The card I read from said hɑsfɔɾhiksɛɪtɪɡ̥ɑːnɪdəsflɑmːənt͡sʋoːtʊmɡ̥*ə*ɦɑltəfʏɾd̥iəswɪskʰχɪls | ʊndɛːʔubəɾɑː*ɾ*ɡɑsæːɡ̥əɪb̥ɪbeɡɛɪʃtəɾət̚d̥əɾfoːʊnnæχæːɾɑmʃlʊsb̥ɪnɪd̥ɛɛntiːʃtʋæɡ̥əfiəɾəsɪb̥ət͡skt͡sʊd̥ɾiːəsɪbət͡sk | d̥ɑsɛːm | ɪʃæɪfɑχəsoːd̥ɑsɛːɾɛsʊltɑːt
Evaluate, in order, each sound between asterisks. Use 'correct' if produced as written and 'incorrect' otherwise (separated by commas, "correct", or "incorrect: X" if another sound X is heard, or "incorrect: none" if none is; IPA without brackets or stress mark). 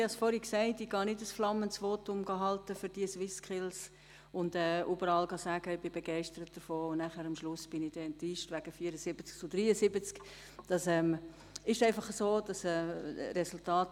incorrect: ɑ, incorrect: l